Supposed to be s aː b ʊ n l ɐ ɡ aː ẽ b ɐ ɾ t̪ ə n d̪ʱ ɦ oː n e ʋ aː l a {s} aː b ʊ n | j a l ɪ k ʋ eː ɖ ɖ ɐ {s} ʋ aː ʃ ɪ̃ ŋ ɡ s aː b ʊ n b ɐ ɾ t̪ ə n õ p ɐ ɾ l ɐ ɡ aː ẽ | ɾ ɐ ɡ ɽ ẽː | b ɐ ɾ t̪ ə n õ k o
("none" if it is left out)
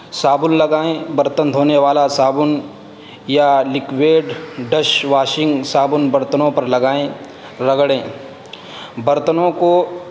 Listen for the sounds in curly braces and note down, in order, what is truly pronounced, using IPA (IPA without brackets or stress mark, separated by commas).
s, ʃ